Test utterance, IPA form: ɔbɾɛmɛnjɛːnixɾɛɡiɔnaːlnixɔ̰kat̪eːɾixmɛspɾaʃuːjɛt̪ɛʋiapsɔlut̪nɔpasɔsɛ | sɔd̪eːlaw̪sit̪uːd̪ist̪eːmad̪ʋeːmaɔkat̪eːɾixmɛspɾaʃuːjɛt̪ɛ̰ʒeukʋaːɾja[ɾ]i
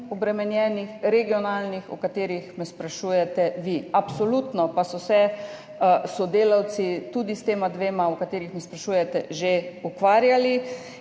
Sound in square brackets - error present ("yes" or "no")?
yes